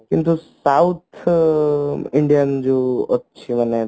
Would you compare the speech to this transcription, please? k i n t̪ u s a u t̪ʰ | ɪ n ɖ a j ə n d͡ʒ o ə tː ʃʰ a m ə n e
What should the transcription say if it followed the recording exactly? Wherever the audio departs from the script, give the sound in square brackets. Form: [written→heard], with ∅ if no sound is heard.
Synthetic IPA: k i n t̪ u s a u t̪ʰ | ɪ [n→ɳ] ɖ [a→i] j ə n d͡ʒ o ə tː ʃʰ [a→i] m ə n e